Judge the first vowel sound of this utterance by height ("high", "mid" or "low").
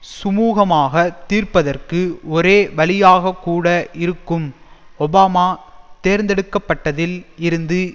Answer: high